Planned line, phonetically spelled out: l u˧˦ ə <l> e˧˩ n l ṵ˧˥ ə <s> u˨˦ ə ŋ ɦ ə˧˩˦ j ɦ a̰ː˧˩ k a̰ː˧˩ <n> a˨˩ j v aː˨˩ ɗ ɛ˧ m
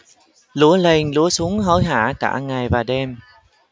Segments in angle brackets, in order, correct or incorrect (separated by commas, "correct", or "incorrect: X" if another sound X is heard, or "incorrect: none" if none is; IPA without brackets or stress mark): correct, correct, incorrect: ŋ